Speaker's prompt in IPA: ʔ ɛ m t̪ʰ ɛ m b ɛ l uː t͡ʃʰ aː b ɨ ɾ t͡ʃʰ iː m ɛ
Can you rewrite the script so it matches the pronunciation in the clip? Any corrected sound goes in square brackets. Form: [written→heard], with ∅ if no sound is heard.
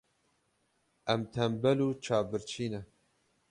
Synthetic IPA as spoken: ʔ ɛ m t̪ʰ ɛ m b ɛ l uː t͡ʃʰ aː b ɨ ɾ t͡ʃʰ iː [m→n] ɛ